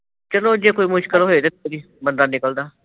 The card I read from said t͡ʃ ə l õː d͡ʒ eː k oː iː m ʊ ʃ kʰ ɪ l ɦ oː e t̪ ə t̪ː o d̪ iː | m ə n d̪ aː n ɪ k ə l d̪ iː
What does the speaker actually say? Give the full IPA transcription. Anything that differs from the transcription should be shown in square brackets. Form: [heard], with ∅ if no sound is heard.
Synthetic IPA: t͡ʃ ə l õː d͡ʒ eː k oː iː m ʊ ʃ [k] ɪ l ɦ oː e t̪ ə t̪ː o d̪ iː | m ə n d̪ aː n ɪ k ə l d̪ [aː]

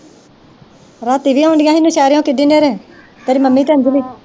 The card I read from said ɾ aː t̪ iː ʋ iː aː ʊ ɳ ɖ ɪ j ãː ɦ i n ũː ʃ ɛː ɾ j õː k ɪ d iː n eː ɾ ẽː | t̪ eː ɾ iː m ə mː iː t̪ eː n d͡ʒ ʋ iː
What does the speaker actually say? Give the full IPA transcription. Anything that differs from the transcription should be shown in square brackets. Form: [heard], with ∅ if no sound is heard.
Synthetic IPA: ɾ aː t̪ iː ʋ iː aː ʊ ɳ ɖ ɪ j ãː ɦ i n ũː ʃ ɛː ɾ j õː k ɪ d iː n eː ɾ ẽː | t̪ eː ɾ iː m ə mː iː t̪ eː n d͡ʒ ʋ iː

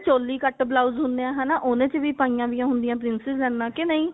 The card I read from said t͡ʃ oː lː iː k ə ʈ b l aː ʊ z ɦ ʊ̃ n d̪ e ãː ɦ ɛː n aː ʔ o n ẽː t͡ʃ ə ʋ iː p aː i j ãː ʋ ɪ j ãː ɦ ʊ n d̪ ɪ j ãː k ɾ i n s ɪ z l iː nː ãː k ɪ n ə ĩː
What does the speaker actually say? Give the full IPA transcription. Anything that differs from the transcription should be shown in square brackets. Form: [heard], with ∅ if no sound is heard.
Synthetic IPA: t͡ʃ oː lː iː k ə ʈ b l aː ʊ z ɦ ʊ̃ n d̪ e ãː ɦ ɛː n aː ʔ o n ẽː t͡ʃ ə ʋ iː p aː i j ãː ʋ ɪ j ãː ɦ ʊ n d̪ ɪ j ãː [p] ɾ [ɪ] n s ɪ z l [ɛː] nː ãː k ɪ n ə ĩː

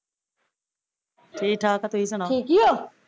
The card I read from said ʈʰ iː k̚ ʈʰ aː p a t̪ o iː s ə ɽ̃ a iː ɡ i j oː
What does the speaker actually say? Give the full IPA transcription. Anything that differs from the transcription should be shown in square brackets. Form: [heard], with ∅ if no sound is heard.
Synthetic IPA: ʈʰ iː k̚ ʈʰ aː [k] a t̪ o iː s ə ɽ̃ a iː [k] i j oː

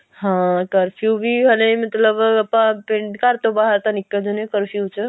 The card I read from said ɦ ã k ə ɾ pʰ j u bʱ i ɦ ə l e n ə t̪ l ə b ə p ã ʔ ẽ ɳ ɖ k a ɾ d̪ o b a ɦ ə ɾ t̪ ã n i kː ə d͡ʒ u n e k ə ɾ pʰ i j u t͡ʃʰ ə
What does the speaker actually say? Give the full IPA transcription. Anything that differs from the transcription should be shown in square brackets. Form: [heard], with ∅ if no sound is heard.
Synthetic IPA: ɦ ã k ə ɾ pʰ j u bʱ i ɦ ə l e [m] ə t̪ l ə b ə p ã [p] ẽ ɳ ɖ k a ɾ [t̪] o b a ɦ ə ɾ t̪ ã n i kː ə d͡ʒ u n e k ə ɾ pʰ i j u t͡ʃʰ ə

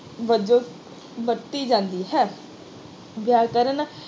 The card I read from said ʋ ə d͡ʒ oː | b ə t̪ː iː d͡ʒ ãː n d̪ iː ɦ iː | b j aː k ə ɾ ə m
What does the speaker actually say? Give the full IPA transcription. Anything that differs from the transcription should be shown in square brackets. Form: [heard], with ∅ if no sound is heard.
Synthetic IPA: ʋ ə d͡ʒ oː | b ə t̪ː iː d͡ʒ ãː n d̪ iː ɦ [ɛː] | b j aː k ə ɾ ə [n]

